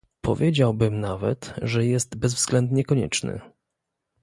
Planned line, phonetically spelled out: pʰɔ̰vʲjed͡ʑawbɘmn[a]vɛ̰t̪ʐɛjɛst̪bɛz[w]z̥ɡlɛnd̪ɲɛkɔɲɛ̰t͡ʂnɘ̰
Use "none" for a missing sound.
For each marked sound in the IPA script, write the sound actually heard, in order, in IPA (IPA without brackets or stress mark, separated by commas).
a, v